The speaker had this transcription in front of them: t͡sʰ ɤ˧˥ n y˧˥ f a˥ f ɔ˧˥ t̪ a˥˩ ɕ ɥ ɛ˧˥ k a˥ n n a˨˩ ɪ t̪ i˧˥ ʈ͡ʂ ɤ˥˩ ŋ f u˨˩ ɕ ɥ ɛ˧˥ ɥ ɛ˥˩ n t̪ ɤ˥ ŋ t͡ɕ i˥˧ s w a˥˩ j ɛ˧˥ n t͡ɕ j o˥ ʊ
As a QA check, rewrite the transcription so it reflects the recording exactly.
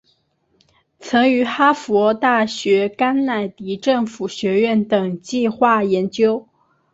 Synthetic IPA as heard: t͡sʰ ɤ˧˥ ŋ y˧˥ x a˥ f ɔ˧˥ t̪ a˥˩ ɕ ɥ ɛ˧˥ k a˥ n n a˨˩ ɪ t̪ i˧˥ ʈ͡ʂ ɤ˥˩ ŋ f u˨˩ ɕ ɥ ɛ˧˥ ɥ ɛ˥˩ n t̪ ɤ˨˩ ŋ t͡ɕ i˥˧ x w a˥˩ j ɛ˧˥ n t͡ɕ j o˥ ʊ

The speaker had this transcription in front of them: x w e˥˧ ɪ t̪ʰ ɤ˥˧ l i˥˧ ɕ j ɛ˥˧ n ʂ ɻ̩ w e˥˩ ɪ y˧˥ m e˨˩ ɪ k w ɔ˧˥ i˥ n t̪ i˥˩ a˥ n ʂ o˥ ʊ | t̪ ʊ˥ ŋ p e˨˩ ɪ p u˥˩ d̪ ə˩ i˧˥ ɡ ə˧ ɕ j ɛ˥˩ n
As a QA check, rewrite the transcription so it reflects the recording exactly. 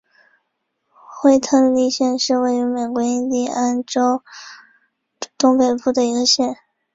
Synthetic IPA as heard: x w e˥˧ ɪ t̪ʰ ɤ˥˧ l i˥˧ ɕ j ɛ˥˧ n ʂ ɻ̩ w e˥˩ ɪ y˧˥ m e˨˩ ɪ k w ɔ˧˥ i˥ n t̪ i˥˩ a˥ n ʈ͡ʂ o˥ ʊ | t̪ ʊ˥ ŋ p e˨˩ ɪ p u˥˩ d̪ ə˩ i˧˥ ɡ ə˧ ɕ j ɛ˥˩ n

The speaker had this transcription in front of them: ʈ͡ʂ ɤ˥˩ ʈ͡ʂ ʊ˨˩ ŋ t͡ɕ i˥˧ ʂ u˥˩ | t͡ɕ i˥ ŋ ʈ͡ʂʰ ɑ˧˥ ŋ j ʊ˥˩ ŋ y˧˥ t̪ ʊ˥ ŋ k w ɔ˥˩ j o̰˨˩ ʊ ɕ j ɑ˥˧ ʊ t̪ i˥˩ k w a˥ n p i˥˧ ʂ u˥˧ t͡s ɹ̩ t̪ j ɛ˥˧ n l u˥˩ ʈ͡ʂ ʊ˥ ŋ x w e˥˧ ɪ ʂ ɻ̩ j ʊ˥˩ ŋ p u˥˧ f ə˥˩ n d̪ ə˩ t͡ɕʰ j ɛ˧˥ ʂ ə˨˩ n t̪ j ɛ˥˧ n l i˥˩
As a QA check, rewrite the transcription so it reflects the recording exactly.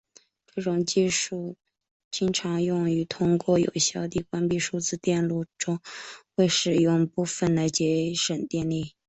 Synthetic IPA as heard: ʈ͡ʂ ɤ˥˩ ʈ͡ʂ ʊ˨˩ ŋ t͡ɕ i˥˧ ʂ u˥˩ | t͡ɕ i˥ ŋ ʈ͡ʂʰ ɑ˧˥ ŋ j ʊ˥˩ ŋ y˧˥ t̪ʰ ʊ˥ ŋ k w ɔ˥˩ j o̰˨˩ ʊ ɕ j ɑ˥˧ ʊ t̪ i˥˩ k w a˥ n p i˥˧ ʂ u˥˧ t͡s ɹ̩ t̪ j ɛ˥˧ n l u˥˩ ʈ͡ʂ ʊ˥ ŋ x w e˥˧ ɪ ʂ ɻ̩ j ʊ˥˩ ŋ p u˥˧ f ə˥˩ n d̪ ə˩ t͡ɕ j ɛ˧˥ ʂ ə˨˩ n t̪ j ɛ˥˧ n l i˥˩

